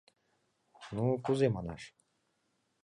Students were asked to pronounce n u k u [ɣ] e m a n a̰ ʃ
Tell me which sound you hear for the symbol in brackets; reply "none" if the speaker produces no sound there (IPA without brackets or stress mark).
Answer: z